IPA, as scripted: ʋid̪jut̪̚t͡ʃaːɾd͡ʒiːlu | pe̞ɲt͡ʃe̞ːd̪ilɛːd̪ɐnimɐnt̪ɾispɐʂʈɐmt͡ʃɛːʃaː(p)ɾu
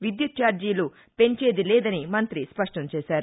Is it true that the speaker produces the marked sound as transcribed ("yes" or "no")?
no